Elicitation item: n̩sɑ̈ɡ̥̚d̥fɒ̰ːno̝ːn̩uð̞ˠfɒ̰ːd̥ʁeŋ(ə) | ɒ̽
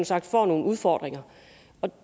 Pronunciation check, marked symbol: incorrect: ɐ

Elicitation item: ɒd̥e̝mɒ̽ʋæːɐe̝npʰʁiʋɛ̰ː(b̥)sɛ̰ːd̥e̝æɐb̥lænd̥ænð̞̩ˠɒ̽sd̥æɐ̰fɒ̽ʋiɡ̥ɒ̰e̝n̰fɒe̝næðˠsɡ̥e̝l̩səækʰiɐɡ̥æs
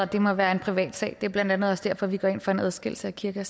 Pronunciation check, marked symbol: incorrect: d̥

